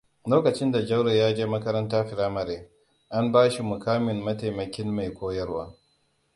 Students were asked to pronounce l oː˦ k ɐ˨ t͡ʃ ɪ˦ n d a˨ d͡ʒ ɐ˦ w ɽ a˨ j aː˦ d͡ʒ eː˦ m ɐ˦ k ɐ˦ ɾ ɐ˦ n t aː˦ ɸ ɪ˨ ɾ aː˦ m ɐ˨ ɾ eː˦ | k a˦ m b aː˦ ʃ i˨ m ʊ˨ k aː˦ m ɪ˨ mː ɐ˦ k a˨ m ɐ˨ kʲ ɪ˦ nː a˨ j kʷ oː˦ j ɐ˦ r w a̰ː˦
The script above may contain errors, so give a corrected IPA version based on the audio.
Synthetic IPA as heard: l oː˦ k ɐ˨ t͡ʃ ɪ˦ n d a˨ d͡ʒ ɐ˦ w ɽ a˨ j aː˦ d͡ʒ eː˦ m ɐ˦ k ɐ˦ ɾ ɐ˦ n t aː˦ ɸ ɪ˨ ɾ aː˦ m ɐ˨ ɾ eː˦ | ʔ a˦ m b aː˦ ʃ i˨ m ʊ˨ k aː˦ m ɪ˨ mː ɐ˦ t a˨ m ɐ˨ kʲ ɪ˦ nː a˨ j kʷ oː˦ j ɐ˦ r w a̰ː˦